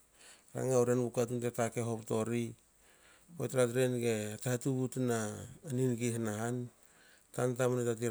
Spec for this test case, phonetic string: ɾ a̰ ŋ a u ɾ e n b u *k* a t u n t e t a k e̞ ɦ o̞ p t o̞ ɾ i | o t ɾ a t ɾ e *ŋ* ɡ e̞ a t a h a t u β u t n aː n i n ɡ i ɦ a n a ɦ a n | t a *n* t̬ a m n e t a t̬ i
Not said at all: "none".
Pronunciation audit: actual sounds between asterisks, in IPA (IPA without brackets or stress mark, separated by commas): k, n, n